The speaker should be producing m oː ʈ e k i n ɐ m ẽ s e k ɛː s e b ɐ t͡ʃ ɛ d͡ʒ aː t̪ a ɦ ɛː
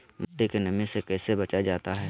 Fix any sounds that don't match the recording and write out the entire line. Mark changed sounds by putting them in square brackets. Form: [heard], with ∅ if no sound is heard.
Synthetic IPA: m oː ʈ e k [e] n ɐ m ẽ s e k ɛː s e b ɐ t͡ʃ [a] d͡ʒ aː t̪ a ɦ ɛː